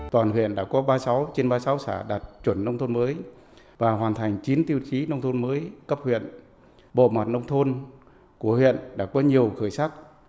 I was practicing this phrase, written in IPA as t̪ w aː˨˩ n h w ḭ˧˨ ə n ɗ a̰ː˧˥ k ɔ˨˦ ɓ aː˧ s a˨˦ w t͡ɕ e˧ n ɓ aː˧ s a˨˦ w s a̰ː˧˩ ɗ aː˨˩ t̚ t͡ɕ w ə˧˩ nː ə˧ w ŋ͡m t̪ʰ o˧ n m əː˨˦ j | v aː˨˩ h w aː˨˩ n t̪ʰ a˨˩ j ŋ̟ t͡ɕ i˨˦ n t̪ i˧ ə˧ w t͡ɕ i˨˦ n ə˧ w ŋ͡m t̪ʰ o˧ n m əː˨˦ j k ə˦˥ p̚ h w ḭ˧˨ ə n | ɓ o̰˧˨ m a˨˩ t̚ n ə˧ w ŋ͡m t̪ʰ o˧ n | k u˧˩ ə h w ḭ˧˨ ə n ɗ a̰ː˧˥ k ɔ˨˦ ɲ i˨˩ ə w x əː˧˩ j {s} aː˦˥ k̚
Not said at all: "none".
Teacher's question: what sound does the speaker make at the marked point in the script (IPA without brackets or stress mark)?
s